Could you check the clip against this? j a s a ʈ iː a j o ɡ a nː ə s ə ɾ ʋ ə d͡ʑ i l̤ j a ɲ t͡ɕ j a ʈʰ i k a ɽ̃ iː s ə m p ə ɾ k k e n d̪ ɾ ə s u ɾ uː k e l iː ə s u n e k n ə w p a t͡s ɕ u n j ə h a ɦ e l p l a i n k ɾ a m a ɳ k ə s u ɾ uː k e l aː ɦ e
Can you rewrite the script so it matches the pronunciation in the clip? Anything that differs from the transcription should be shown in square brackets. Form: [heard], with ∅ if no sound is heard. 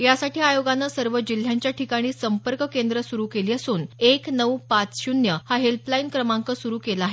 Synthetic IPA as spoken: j a s a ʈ iː a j o ɡ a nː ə s ə ɾ ʋ ə d͡ʑ i l̤ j a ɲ t͡ɕ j a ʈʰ i k a ɽ̃ iː s ə m p ə ɾ k k e n d̪ ɾ ə s u ɾ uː k e l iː ə s [uː] n e k n ə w p a t͡s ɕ u n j ə h a ɦ e l p l a i n k ɾ [ə] m a [ŋ] k ə s u ɾ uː k e l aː ɦ e